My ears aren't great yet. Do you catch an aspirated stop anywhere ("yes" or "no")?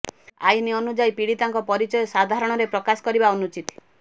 no